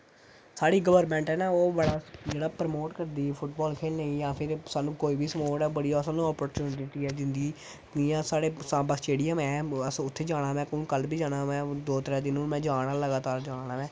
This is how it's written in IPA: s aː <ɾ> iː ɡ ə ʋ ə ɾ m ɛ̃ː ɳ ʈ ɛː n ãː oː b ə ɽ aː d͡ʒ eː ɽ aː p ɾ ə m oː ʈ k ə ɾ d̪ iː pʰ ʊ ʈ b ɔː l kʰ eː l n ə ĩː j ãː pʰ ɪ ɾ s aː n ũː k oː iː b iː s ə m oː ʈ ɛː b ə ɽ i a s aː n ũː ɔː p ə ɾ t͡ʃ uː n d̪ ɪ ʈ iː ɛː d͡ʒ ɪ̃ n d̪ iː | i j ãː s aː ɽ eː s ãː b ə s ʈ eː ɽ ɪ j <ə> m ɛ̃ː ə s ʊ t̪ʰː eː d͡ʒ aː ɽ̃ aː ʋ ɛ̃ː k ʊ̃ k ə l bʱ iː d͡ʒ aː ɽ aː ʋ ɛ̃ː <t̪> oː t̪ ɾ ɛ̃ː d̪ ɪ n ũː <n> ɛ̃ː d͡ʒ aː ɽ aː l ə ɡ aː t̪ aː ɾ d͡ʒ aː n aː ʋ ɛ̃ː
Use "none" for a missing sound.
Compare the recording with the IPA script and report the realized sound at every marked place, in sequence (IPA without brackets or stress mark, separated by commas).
ɽ, ə, d̪, m